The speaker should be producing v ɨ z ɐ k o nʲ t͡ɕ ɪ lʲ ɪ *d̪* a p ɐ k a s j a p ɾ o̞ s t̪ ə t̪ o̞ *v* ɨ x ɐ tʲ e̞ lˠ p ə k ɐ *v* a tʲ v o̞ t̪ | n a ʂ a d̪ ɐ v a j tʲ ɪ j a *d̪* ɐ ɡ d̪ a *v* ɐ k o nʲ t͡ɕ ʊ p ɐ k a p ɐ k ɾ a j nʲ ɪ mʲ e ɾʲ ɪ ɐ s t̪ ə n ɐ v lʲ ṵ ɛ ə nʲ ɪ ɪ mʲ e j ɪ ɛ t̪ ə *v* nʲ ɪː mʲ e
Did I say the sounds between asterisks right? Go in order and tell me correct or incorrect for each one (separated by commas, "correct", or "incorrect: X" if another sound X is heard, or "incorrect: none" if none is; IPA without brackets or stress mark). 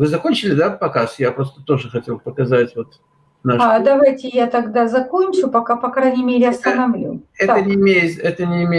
correct, incorrect: ʐ, incorrect: z, incorrect: t̪, incorrect: z, incorrect: none